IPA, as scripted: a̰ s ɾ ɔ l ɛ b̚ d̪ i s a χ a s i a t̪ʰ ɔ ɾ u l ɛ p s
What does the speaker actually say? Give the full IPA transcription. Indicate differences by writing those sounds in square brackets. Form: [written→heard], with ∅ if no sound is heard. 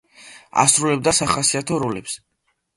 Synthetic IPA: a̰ s ɾ [ɔ→u] l ɛ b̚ d̪ [i→a] s a χ a s i a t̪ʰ ɔ ɾ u l ɛ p s